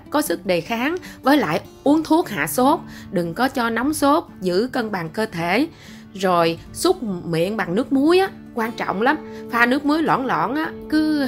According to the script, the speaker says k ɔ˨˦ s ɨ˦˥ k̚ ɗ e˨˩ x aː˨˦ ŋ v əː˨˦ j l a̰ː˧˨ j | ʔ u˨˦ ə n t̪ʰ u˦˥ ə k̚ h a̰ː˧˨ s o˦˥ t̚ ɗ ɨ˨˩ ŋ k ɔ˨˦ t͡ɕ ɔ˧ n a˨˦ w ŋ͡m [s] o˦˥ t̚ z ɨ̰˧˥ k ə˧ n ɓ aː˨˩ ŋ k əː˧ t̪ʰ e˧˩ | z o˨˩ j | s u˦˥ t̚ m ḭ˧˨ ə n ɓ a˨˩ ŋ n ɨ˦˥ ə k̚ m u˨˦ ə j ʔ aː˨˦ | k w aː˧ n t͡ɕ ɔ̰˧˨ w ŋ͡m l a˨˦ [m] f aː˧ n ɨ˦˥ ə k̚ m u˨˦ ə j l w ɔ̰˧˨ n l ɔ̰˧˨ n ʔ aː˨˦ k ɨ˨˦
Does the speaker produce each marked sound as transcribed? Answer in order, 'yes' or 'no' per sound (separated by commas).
yes, yes